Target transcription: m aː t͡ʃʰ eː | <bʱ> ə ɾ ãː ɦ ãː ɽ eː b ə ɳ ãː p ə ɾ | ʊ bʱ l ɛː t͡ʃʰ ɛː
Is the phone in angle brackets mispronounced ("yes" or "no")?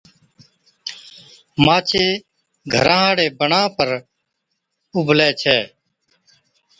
yes